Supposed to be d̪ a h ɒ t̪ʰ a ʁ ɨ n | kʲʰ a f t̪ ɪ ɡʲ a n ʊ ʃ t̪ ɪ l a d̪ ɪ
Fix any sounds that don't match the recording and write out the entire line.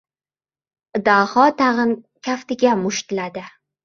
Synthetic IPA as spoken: d̪ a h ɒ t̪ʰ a ʁ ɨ n | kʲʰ a f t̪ ɪ ɡʲ a m ʊ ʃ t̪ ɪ l a d̪ ɪ